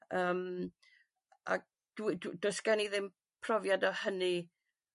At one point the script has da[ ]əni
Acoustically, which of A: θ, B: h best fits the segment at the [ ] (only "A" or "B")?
B